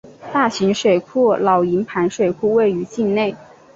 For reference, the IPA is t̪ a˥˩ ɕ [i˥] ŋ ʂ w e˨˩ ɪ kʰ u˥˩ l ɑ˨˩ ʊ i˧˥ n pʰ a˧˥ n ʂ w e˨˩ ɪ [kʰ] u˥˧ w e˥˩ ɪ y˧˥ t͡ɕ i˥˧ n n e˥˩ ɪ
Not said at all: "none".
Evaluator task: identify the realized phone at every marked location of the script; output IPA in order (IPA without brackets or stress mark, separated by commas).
i˧˥, kʰ